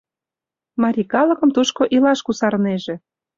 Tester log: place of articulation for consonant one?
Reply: labial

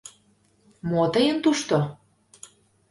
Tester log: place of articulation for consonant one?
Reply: labial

